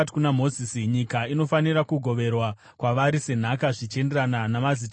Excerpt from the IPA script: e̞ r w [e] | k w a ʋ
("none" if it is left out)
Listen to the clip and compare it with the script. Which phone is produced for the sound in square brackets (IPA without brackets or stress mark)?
a